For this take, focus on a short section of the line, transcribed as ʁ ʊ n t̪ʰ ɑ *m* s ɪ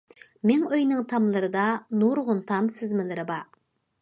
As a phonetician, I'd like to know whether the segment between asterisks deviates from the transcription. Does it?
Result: no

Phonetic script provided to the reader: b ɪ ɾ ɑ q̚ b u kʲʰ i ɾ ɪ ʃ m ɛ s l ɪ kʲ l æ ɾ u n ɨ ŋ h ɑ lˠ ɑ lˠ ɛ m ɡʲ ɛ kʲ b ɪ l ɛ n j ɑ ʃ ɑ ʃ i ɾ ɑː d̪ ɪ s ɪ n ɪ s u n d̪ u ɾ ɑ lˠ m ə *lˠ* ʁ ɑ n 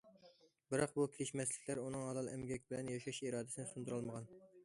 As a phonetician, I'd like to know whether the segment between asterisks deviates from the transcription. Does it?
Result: yes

